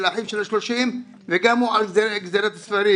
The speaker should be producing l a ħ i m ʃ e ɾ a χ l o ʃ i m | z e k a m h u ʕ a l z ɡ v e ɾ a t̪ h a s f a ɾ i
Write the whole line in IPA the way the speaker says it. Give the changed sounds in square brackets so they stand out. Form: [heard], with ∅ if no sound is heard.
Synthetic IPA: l a ħ i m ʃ e [l] a [ʃ] l o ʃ i m | [v] e [ɡ] a m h u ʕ a l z ɡ [z] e ɾ a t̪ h a s f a ɾ i

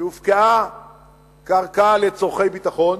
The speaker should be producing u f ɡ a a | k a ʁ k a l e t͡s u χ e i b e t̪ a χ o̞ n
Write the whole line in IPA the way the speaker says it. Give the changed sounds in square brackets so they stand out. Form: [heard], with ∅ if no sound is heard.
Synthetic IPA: u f [k] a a | k a ʁ k a l e t͡s [o] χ e [j] b [i] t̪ a χ o̞ n

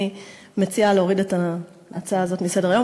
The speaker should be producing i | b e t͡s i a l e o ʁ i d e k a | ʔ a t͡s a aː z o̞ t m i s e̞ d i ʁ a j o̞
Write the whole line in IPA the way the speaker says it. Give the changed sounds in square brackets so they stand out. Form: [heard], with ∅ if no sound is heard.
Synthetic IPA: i | [m] e t͡s i a l e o ʁ i d e [t] a | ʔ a t͡s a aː z o̞ t m i s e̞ d [e] ʁ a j o̞

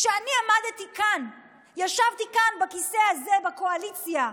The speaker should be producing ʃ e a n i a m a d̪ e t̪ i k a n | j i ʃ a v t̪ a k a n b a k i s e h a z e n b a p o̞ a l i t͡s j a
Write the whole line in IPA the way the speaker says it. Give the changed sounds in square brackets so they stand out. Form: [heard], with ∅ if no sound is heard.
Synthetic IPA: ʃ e a n i a m a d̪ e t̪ i k a n | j [a] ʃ a v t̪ [i] k a n b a k i s e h a z e [∅] b a [k] o̞ a l i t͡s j a

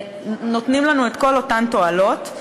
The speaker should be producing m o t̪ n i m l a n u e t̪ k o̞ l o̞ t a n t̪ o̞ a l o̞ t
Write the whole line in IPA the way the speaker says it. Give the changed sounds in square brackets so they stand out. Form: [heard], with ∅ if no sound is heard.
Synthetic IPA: [n] o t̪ n i m l a n u e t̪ k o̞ l o̞ t a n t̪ o̞ a l o̞ t

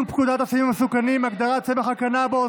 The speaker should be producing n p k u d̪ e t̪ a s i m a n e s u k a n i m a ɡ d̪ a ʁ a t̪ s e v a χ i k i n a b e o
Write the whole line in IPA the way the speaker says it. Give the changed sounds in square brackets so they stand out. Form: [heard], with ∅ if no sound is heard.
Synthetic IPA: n p k u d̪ [a] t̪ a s i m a [m] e s u k a n i m a ɡ d̪ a ʁ a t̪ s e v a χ [a] k [a] n a b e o

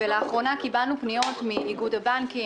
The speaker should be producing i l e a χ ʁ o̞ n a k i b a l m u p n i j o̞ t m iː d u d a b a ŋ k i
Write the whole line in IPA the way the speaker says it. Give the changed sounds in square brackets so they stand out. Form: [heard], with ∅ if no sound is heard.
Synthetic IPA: [e] l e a χ ʁ o̞ n a k i b a l [n] u p n i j o̞ t m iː [ɡ] u d a b a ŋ k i

